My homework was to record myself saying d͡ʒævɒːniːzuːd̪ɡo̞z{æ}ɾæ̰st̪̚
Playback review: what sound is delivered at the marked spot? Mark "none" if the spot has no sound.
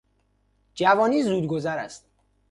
æ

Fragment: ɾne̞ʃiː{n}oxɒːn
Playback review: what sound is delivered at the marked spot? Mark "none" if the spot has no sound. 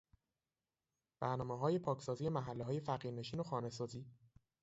n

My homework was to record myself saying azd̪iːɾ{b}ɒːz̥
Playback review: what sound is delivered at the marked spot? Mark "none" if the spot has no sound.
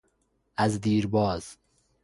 b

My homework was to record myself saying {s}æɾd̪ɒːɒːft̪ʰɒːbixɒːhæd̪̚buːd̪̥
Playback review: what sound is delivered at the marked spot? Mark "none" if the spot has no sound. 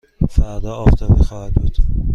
f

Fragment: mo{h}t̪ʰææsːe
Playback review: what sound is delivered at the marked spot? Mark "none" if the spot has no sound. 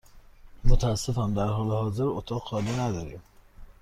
none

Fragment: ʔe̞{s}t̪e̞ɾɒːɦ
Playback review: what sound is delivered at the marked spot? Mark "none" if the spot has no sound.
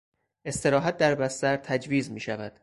s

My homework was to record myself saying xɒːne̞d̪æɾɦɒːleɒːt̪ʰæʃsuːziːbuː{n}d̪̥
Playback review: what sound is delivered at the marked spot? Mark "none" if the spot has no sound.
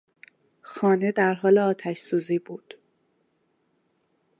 none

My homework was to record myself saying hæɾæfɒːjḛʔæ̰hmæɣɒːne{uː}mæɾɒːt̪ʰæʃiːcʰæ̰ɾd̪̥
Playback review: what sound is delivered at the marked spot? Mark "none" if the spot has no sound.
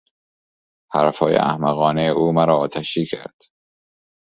uː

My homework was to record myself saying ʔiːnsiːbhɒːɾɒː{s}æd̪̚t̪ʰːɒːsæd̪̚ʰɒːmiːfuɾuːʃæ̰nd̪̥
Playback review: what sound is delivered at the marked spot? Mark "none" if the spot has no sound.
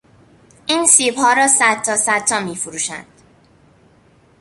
s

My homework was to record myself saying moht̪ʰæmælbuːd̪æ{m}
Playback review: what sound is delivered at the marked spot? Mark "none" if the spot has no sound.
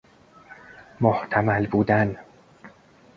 n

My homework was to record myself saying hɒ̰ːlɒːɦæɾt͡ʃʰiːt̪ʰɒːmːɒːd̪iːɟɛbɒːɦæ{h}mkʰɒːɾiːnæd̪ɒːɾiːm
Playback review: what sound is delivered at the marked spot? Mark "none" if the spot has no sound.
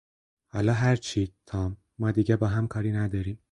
none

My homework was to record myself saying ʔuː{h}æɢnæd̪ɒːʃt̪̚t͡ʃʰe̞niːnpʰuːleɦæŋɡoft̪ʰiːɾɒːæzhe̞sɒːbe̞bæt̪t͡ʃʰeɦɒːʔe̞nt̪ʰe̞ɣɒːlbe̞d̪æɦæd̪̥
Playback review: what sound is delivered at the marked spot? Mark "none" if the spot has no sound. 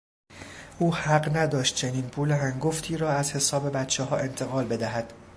h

